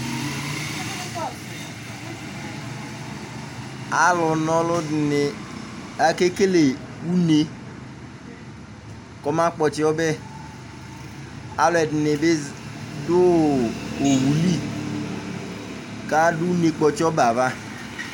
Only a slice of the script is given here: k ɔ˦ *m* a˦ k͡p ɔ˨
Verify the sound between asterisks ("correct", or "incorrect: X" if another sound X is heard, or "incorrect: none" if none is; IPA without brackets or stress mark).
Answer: correct